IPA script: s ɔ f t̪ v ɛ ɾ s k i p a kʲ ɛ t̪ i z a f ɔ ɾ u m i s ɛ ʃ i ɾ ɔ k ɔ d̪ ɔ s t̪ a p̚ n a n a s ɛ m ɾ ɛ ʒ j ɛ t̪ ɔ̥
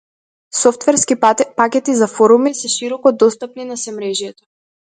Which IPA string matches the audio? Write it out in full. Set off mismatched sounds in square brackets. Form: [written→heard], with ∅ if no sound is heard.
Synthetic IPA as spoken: s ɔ f t̪ v ɛ ɾ s k i p a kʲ ɛ t̪ i z a f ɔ ɾ u m i s ɛ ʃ i ɾ ɔ k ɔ d̪ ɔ s t̪ a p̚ n [a→i] n a s ɛ m ɾ ɛ ʒ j ɛ t̪ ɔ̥